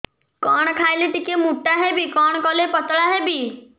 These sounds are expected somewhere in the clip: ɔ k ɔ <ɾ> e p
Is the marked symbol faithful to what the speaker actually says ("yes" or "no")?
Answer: no